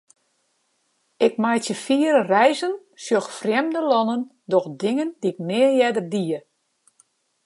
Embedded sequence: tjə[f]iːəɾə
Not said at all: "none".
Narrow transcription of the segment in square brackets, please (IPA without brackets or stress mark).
f